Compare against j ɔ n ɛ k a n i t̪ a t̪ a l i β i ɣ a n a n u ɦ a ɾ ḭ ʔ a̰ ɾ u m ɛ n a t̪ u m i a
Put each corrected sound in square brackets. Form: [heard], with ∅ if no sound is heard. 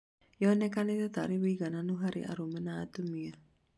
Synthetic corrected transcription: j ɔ n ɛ k a n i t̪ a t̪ a [ɾ] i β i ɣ a n a n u ɦ a ɾ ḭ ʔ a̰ ɾ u m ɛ n a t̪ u m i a